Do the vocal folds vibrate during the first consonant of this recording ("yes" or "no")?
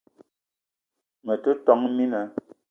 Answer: yes